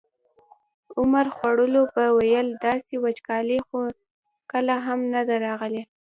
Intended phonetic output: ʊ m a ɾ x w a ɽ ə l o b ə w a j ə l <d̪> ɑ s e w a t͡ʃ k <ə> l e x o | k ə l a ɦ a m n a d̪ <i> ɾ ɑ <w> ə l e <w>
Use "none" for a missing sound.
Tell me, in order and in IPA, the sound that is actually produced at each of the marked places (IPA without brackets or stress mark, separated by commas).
d̪, ɑ, a, ɣ, none